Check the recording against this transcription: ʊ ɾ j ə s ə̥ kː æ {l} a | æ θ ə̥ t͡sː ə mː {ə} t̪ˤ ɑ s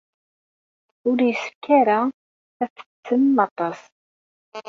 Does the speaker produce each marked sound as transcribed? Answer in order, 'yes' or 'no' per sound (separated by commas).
no, no